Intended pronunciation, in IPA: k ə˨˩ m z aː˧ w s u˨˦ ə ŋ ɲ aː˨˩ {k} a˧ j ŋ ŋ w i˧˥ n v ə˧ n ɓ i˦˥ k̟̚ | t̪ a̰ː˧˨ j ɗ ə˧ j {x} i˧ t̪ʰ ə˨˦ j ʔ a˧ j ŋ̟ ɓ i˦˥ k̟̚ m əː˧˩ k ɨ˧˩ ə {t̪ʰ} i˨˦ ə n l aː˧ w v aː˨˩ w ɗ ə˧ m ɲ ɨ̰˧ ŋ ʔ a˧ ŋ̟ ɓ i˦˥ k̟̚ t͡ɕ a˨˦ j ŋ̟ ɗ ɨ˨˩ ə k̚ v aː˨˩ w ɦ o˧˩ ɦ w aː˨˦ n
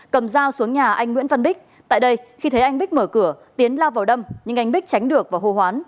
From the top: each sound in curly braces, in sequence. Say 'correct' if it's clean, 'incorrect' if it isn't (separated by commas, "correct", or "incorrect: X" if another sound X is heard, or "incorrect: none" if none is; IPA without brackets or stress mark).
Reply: incorrect: ʔ, correct, incorrect: t̪